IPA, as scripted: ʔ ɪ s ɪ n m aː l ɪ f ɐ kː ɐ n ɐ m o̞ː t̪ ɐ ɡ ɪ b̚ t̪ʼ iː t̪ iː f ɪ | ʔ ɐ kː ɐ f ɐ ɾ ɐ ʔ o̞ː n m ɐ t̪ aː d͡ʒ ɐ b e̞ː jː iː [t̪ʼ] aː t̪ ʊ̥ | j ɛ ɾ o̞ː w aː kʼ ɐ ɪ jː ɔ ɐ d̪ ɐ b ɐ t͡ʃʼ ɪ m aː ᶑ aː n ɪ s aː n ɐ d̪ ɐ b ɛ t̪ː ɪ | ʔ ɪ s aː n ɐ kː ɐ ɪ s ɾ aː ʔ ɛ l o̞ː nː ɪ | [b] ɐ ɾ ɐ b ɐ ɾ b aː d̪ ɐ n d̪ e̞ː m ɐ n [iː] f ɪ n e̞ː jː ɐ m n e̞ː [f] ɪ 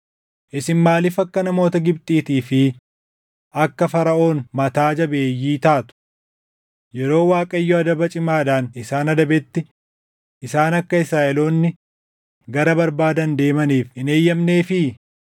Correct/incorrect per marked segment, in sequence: incorrect: t̪, incorrect: ɡ, correct, correct

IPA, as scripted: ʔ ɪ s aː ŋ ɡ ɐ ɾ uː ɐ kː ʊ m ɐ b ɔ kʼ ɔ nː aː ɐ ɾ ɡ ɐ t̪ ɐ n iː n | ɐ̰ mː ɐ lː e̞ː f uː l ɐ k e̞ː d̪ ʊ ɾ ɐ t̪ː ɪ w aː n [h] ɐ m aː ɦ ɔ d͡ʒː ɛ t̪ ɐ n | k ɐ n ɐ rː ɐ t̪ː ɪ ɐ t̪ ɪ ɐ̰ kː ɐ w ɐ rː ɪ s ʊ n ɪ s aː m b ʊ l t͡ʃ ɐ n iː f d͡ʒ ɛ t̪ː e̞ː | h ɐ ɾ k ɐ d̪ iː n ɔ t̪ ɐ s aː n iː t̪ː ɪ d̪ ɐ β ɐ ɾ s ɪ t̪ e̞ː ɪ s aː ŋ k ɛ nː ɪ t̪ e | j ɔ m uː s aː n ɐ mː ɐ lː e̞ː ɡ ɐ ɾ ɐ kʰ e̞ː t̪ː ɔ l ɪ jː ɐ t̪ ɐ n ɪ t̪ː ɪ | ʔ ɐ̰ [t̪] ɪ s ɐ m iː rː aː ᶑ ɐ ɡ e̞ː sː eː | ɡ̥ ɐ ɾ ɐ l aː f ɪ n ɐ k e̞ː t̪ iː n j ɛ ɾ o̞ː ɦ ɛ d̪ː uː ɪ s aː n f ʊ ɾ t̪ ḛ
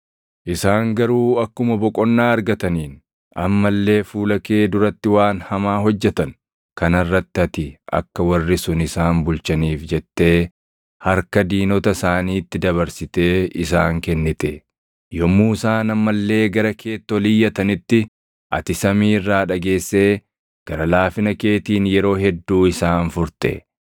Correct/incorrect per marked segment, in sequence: correct, correct

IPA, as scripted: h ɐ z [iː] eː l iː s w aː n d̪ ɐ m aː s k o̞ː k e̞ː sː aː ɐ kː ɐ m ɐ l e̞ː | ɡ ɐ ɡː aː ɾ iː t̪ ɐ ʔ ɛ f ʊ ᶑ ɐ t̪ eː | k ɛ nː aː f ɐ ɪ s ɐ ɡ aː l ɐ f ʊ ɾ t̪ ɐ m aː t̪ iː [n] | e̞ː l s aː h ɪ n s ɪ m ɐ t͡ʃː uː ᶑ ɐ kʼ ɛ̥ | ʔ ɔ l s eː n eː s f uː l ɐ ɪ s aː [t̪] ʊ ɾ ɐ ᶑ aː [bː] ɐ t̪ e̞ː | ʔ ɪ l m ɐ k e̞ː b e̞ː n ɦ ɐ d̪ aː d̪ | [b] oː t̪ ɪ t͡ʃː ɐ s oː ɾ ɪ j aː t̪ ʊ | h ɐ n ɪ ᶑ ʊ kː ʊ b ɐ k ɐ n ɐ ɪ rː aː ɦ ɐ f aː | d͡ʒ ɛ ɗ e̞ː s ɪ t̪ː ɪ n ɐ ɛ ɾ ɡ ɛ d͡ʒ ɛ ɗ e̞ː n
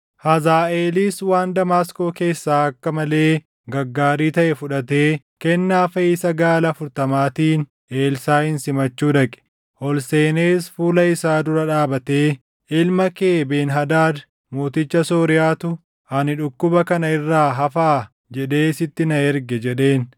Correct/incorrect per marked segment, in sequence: incorrect: aː, correct, incorrect: d̪, incorrect: b, incorrect: m

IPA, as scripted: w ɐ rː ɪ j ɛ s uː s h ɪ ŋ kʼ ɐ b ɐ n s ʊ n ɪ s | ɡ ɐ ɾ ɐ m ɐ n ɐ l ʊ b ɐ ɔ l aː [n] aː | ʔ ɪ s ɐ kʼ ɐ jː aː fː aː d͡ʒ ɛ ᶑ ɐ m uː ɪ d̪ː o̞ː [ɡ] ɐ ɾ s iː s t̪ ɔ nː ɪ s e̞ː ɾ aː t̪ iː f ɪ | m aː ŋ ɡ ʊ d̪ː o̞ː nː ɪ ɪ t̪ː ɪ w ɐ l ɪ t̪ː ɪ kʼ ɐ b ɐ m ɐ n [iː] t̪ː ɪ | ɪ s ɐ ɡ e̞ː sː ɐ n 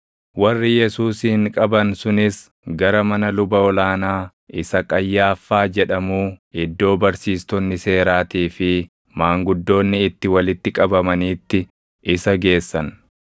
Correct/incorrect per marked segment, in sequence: correct, incorrect: b, correct

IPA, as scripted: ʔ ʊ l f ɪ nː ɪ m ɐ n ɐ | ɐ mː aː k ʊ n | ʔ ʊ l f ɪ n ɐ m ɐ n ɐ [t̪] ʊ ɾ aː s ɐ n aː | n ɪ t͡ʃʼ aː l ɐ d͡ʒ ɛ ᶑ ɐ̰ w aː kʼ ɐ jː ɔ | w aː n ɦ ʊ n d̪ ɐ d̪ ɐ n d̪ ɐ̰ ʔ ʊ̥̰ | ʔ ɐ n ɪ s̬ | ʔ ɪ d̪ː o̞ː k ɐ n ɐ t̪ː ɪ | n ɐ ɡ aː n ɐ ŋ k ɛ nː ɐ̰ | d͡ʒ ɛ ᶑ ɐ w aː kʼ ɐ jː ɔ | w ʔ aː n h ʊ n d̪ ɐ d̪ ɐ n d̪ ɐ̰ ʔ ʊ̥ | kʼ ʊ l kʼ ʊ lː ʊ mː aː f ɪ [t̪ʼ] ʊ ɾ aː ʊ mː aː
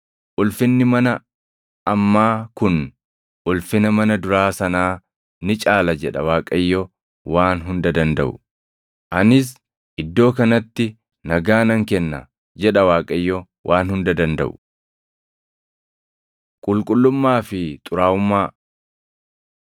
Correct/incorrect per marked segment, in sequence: incorrect: d̪, correct

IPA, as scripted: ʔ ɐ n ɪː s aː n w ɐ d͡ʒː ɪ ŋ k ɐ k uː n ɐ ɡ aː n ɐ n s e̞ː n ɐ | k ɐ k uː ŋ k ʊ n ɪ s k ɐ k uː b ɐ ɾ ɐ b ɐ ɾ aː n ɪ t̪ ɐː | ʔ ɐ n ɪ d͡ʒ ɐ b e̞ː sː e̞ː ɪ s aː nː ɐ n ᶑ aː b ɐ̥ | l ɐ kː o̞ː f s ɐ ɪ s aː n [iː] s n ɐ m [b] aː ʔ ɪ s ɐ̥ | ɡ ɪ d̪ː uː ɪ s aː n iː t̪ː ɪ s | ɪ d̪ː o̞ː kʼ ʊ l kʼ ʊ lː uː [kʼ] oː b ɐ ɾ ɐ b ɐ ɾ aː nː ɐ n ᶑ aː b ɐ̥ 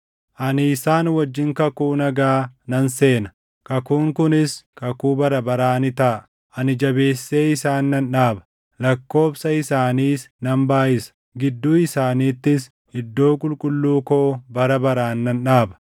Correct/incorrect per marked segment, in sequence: correct, correct, incorrect: k

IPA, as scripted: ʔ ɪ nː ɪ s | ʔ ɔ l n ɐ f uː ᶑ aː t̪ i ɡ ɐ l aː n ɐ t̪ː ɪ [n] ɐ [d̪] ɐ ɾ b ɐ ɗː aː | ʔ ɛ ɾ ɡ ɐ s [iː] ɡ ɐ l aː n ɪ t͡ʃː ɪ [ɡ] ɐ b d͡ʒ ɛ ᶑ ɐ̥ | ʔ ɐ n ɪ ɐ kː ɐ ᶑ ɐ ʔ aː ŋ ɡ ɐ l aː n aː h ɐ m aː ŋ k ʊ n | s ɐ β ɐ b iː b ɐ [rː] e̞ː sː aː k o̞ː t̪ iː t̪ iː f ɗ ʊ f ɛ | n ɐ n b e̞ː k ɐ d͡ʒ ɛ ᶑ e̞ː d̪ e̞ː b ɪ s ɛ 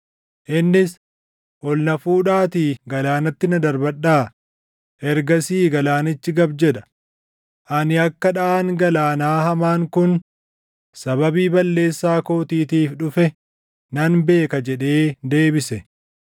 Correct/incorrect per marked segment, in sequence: correct, correct, correct, correct, incorrect: lː

